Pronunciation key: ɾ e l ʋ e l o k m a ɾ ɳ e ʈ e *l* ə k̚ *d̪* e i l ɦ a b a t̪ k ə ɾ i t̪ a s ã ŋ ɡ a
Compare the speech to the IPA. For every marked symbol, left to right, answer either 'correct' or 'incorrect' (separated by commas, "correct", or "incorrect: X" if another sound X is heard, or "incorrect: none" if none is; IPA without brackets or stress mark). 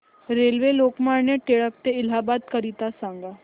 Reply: incorrect: ɭ, incorrect: t̪